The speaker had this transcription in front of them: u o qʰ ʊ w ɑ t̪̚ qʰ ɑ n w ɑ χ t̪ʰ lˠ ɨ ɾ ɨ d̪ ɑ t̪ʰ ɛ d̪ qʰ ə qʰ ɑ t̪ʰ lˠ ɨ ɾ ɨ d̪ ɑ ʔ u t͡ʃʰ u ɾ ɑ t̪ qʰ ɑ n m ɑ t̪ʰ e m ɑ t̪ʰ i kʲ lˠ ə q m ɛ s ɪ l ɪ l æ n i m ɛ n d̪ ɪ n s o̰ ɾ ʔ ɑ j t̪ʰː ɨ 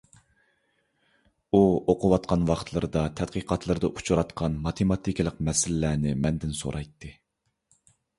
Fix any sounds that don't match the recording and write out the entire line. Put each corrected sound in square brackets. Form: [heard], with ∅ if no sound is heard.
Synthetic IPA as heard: u o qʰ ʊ w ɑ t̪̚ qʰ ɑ n w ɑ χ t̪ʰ lˠ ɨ ɾ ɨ d̪ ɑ t̪ʰ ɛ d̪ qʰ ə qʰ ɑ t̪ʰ lˠ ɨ ɾ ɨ d̪ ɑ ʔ u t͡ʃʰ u ɾ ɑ t̪ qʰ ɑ n m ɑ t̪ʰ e m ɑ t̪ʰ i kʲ lˠ ə q m ɛ s ɪ l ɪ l æ n [ɪ] m ɛ n d̪ ɪ n s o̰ ɾ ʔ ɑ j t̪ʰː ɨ